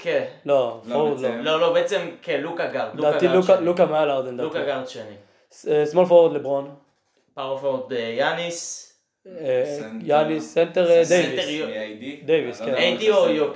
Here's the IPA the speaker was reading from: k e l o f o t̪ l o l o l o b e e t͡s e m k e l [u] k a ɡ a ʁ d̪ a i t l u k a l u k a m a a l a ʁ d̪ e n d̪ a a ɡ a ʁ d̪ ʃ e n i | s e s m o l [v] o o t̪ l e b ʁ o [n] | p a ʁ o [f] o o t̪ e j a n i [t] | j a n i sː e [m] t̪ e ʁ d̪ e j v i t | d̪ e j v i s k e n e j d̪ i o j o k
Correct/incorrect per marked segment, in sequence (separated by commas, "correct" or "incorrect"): correct, incorrect, correct, correct, incorrect, incorrect